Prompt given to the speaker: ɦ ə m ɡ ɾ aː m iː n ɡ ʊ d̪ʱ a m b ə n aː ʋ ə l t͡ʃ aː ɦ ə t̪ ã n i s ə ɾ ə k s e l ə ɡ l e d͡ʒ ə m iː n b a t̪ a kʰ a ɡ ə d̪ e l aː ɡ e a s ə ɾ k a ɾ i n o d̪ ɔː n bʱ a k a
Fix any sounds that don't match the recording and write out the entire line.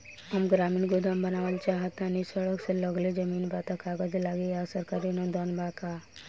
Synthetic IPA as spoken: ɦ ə m ɡ ɾ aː m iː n ɡ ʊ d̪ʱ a m b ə n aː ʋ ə l t͡ʃ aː ɦ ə t̪ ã n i s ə ɽ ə k s e l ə ɡ l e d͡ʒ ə m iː n b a t̪ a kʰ a ɡ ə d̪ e l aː ɡ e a s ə ɾ k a ɾ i n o d̪ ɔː n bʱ a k a